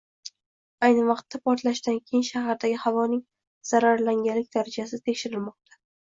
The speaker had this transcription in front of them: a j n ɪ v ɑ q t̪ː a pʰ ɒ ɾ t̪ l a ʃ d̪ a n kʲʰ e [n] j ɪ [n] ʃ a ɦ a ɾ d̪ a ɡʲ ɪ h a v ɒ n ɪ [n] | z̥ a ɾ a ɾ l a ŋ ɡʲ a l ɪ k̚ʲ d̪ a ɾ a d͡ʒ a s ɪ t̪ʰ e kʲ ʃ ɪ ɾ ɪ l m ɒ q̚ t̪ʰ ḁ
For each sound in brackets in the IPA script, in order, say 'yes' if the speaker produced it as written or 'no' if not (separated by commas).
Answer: no, yes, no